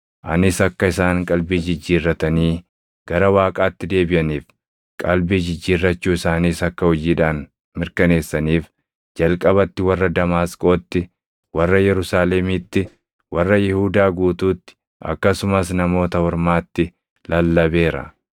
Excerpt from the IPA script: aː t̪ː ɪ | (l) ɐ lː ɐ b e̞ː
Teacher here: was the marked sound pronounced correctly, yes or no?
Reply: yes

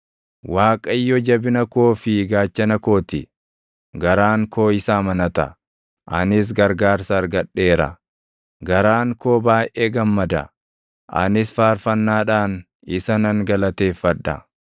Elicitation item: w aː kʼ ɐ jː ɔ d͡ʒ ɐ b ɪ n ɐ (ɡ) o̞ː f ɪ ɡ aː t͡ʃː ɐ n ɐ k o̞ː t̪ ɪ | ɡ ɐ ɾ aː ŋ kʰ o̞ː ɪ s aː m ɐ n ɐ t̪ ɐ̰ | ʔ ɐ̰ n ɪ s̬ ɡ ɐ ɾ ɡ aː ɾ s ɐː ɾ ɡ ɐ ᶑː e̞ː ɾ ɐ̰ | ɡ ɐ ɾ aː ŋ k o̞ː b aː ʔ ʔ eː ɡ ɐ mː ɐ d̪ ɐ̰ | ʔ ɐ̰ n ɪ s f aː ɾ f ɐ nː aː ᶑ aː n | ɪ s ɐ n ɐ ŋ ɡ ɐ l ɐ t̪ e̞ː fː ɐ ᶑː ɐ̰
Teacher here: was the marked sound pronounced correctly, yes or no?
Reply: no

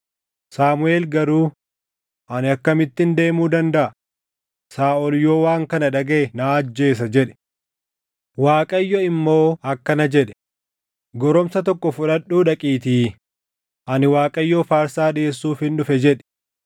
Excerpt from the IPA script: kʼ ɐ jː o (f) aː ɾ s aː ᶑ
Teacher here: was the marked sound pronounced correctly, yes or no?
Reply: yes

